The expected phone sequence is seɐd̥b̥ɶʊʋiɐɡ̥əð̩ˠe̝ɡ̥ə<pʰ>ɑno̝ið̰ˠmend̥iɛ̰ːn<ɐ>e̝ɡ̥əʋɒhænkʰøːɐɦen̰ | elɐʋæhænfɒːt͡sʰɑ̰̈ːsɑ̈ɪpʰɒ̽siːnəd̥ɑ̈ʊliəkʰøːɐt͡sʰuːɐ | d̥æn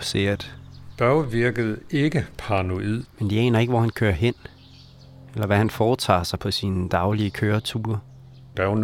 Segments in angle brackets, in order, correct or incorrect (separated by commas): correct, correct